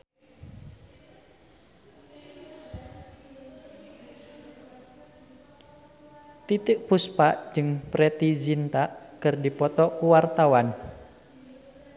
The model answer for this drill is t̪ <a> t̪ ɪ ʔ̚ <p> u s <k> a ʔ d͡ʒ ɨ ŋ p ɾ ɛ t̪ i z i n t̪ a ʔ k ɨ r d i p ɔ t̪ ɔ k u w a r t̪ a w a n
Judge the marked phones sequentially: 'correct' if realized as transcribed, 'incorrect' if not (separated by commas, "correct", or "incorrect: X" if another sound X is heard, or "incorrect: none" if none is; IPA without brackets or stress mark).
incorrect: i, correct, incorrect: p